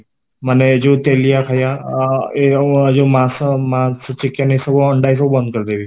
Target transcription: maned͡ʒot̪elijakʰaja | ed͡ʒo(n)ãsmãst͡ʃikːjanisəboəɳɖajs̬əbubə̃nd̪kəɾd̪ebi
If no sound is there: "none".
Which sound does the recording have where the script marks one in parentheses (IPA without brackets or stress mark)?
m